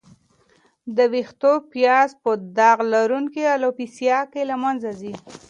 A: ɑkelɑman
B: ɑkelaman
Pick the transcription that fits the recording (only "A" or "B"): B